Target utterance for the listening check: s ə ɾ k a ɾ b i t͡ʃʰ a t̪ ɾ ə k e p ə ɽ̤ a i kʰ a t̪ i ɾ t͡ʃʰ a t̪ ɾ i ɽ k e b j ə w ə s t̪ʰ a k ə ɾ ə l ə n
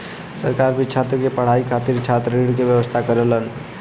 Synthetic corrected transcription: s ə ɾ k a ɾ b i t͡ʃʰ a t̪ ɾ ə k e p ə ɽ̤ a i kʰ a t̪ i ɾ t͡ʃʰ a t̪ ɾ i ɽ k e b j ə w ə s t̪ʰ a k ə ɾ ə l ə n